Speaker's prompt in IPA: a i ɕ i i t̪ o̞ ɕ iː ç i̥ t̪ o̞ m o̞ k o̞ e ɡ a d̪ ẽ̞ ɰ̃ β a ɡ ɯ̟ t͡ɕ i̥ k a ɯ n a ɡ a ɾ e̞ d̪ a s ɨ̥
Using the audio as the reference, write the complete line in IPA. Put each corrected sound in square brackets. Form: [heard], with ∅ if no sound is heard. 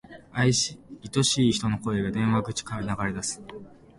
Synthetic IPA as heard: a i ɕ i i t̪ o̞ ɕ iː ç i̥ t̪ o̞ [n] o̞ k o̞ e ɡ a d̪ ẽ̞ ɰ̃ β a ɡ ɯ̟ t͡ɕ i̥ k a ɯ n a ɡ a ɾ e̞ d̪ a s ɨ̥